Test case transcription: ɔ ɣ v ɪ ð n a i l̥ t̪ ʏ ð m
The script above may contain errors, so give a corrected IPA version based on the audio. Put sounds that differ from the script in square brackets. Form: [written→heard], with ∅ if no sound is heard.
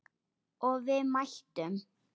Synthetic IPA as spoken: ɔ ɣ v ɪ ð [n→m] a [i→j] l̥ t̪ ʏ [ð→∅] m